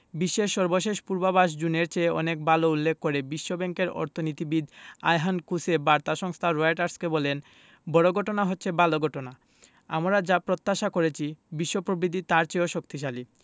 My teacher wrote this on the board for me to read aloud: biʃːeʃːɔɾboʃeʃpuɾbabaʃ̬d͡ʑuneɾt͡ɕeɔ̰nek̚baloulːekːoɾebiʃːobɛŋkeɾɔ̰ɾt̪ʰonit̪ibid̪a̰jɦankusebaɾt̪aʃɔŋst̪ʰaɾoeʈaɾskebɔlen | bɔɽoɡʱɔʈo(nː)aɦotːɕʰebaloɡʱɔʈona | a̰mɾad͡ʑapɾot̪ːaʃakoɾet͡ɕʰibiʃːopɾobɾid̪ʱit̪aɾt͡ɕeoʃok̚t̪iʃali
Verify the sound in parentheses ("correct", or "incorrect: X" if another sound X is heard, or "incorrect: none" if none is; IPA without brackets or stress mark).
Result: incorrect: n